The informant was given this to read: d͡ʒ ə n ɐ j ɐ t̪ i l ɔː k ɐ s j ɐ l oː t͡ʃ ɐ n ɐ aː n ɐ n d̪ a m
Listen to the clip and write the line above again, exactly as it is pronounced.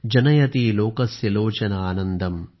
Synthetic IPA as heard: d͡ʒ ɐ n ɐ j ɐ t̪ i l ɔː k ɐ s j ɐ l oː t͡ʃ ɐ n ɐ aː n ɐ n d̪ ɐ m